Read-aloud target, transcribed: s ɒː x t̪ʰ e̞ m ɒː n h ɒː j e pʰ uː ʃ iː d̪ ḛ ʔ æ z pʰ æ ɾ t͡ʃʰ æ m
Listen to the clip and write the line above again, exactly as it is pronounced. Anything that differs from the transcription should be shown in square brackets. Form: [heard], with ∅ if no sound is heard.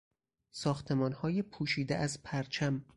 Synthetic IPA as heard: s ɒː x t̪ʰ e̞ m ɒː n h ɒː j e pʰ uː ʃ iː d̪ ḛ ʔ æ z pʰ æ ɾ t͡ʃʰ æ m